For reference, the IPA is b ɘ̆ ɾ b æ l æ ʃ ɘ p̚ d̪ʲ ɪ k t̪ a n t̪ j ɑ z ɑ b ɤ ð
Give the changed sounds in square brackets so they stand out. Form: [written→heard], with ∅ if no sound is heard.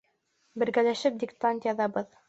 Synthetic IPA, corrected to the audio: b ɘ̆ ɾ [b→ɡ] æ l æ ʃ ɘ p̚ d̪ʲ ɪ k t̪ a n t̪ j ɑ [z→ð] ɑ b ɤ ð